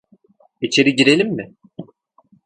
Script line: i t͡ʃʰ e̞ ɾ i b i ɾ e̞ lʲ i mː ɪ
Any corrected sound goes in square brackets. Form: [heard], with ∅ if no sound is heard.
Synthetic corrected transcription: i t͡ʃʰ e̞ ɾ i [ɟ] i ɾ e̞ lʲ i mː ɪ